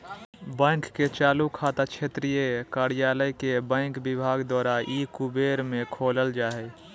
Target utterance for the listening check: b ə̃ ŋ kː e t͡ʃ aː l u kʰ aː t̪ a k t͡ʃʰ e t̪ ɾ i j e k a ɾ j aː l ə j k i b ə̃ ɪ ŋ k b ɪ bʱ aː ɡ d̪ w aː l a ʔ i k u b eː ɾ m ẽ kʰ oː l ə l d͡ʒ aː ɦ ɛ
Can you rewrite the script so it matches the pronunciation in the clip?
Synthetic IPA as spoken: b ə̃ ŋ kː e t͡ʃ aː l u kʰ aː t̪ a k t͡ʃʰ e t̪ ɾ i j e k a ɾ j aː l ə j k e b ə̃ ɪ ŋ k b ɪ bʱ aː ɡ d̪ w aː ɾ a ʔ i k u b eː ɾ m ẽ kʰ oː l ə l d͡ʒ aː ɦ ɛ